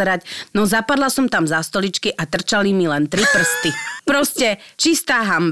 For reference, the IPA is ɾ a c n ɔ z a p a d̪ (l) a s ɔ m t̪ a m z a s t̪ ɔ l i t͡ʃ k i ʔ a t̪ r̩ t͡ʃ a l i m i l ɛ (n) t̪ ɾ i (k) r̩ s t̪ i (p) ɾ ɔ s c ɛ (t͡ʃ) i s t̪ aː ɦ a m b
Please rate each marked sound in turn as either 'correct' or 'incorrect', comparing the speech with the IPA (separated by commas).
correct, correct, incorrect, correct, correct